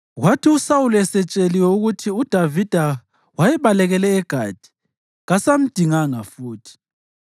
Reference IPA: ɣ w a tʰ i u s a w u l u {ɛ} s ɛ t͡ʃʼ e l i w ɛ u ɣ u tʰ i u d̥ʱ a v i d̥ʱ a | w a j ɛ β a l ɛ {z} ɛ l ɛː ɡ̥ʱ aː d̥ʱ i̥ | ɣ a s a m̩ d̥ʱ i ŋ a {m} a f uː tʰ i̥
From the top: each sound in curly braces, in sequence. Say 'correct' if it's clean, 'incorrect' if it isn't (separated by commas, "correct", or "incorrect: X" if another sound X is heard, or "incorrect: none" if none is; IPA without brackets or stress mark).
correct, incorrect: ɣ, incorrect: ŋ